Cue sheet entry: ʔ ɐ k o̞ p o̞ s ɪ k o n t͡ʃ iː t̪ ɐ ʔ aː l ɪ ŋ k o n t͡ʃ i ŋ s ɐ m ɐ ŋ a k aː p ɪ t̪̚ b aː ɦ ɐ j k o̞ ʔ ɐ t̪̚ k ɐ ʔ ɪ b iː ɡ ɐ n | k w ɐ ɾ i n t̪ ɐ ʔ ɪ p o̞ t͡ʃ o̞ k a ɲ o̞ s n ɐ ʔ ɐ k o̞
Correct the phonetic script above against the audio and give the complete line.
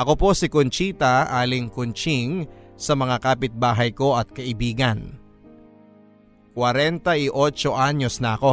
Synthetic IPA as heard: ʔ ɐ k o̞ p o̞ s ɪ k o n t͡ʃ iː t̪ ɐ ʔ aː l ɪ ŋ k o n t͡ʃ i ŋ s ɐ m ɐ ŋ a k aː p ɪ t̪̚ b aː ɦ ɐ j k o̞ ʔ ɐ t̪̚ k ɐ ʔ ɪ b iː ɡ ɐ n | k w ɐ ɾ ɛ n t̪ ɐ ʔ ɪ ʔ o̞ t͡ʃ o̞ ʔ a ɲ o̞ s n ɐ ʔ ɐ k o̞